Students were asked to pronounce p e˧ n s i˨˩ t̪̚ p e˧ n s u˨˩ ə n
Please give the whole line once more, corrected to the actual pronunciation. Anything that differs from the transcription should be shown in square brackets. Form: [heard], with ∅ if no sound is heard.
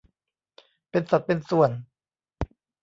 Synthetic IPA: p e˧ n s [a˨˩] t̪̚ p e˧ n s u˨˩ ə n

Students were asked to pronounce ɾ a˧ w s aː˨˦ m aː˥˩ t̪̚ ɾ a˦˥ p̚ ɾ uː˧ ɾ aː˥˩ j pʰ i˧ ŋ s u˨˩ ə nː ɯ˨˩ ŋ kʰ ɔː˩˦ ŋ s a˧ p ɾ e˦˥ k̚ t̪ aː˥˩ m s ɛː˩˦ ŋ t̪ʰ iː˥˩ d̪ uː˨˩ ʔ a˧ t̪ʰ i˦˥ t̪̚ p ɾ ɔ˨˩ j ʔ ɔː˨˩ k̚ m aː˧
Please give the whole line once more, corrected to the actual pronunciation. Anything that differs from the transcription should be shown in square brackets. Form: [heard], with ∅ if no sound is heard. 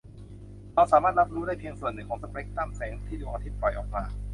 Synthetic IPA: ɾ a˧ w s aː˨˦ m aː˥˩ t̪̚ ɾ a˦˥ p̚ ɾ [uː˦˥] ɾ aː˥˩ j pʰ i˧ ŋ s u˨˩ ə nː ɯ˨˩ ŋ kʰ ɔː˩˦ ŋ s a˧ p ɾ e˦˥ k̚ t̪ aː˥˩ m s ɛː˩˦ ŋ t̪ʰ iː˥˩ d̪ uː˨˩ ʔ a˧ t̪ʰ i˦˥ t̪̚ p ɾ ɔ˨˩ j ʔ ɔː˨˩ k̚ m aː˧

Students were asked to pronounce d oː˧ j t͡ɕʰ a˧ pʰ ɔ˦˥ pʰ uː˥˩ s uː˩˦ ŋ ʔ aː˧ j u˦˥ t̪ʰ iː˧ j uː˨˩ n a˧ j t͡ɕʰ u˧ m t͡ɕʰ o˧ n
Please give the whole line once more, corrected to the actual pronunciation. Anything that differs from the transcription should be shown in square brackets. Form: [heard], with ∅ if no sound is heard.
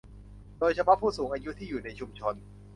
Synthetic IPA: d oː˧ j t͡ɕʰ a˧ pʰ ɔ˦˥ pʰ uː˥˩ s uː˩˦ ŋ ʔ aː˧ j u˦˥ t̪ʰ [iː˥˩] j uː˨˩ n a˧ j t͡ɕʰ u˧ m t͡ɕʰ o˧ n

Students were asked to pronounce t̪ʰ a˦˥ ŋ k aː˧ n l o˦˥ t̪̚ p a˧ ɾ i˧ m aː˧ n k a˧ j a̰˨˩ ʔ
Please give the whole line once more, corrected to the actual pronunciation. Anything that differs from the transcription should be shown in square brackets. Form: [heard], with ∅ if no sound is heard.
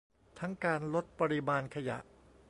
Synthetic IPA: t̪ʰ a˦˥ ŋ k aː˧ n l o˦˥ t̪̚ p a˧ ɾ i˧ m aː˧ n [kʰ] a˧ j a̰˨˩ ʔ

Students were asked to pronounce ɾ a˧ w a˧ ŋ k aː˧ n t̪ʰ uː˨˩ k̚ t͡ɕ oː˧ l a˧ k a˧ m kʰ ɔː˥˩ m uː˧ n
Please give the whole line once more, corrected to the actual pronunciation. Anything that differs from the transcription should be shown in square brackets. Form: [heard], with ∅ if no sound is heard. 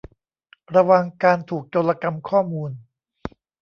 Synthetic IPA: ɾ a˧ w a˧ ŋ k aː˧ n t̪ʰ uː˨˩ k̚ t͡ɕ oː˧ l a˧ k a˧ m kʰ ɔː˥˩ m uː˧ n

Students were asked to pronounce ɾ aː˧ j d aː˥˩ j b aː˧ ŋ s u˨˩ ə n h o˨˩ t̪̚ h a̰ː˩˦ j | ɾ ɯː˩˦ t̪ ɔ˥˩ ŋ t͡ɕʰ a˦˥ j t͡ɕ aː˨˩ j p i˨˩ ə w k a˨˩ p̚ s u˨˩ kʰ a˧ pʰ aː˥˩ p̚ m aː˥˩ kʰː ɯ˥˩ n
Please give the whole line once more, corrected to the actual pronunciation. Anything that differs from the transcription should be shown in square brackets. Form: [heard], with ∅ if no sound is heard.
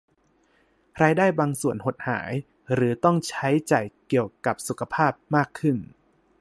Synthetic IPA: ɾ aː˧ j d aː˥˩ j b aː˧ ŋ s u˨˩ ə n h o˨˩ t̪̚ h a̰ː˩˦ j | ɾ ɯː˩˦ t̪ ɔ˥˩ ŋ t͡ɕʰ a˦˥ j t͡ɕ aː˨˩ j [k] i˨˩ ə w k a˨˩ p̚ s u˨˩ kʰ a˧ pʰ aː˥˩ p̚ m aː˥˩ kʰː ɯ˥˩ n

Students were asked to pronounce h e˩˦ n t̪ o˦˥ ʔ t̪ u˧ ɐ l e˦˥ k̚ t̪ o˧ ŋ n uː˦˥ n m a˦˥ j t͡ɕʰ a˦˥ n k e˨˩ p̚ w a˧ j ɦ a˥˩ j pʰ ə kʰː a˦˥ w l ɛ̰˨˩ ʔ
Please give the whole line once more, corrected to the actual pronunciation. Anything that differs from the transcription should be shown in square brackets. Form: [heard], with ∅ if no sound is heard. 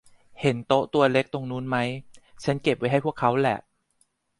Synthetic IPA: h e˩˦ n t̪ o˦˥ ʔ t̪ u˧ ɐ l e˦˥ k̚ t̪ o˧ ŋ n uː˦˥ n m a˦˥ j t͡ɕʰ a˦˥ n k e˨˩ p̚ w [a˦˥] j ɦ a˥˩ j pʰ ə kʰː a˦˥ w l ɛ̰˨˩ ʔ

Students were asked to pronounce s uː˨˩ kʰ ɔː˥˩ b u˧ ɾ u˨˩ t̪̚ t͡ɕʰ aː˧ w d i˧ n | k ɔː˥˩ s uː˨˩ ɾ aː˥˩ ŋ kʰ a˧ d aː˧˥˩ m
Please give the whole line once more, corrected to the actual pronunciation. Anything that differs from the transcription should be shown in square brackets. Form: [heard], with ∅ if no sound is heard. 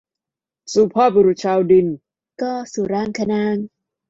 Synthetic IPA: s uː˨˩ [pʰ] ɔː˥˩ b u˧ ɾ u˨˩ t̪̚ t͡ɕʰ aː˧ w d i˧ n | k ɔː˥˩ s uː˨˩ ɾ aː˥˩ ŋ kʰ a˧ [n] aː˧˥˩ [ŋ]

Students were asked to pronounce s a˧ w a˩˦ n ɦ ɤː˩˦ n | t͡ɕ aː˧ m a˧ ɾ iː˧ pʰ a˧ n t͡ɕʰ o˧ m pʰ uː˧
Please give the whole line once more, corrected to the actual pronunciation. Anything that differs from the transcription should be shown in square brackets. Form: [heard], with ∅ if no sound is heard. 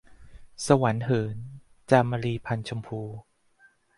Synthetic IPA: s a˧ w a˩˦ n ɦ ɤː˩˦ n | t͡ɕ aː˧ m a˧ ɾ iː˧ pʰ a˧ n t͡ɕʰ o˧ m pʰ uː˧

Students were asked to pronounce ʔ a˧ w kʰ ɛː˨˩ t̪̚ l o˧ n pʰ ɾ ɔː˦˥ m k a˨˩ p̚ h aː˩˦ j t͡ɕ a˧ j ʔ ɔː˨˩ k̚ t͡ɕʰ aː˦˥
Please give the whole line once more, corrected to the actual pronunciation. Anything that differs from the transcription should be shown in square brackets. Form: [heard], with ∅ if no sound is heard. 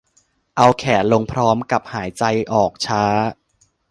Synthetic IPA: ʔ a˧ w kʰ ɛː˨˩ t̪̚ l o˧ [ŋ] pʰ ɾ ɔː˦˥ m k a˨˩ p̚ h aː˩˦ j t͡ɕ a˧ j ʔ ɔː˨˩ k̚ t͡ɕʰ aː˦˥

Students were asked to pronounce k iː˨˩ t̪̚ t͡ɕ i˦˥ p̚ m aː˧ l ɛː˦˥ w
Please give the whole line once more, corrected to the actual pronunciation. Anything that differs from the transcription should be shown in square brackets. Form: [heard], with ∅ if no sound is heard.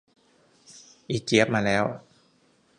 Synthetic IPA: [ʔ] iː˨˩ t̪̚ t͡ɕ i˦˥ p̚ m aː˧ l ɛː˦˥ w

